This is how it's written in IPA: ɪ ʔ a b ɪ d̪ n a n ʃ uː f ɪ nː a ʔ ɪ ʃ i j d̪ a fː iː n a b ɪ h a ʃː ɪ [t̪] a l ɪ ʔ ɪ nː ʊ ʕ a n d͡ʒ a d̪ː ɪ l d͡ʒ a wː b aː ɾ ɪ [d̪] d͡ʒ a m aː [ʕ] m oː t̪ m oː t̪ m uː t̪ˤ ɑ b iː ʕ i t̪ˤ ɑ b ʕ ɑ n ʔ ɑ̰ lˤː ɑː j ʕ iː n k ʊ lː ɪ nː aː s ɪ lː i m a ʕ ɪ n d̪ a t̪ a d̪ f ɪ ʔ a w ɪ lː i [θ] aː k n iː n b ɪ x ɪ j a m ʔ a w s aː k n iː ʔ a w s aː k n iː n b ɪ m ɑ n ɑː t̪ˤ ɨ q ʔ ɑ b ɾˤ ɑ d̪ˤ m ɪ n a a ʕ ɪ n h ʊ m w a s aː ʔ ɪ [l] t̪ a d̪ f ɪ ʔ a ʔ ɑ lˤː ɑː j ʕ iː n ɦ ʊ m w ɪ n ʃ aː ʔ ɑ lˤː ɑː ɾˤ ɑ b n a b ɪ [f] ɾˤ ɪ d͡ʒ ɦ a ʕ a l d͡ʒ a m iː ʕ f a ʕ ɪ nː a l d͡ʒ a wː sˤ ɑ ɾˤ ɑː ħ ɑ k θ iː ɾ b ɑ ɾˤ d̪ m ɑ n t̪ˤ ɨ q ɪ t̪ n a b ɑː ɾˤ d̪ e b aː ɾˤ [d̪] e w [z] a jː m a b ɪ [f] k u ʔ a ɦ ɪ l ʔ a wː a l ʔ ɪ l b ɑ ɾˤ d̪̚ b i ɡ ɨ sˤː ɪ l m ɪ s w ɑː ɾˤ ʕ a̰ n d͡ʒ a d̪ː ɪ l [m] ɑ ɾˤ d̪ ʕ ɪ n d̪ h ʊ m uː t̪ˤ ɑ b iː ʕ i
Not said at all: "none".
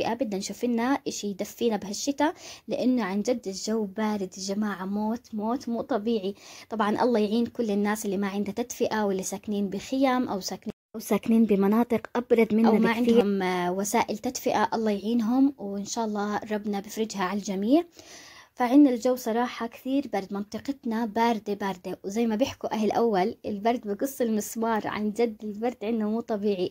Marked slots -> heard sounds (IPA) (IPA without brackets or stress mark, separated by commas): t̪, d̪, ʕ, s, l, f, d̪, z, ħ, b